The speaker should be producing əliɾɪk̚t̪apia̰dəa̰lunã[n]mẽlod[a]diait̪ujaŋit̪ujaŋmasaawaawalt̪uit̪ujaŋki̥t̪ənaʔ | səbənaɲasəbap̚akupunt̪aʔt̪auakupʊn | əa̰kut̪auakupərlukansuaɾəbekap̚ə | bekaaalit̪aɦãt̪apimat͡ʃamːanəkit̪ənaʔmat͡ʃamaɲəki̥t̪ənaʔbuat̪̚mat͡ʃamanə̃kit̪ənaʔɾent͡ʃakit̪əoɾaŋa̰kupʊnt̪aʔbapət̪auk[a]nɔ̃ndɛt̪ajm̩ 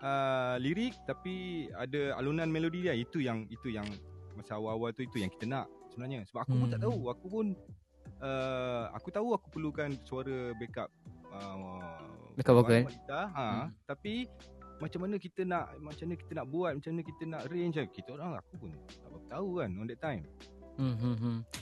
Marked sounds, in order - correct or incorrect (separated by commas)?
correct, incorrect, correct